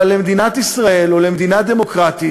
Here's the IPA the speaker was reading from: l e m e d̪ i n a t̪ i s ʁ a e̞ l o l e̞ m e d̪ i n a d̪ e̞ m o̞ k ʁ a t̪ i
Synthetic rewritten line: l e m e d̪ i n a t̪ i s ʁ a e̞ l o l e̞ m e d̪ i n a d̪ e̞ m o̞ k ʁ a t̪ i